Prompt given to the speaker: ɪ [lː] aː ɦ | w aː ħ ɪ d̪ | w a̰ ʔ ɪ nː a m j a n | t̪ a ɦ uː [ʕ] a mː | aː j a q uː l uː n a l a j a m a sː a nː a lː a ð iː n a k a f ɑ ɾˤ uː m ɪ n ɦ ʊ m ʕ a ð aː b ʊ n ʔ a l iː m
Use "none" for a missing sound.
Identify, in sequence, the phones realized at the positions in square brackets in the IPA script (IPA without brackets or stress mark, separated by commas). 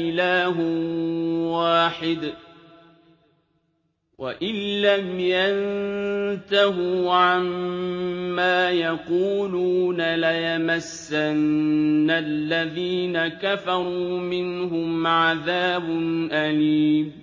l, ʕ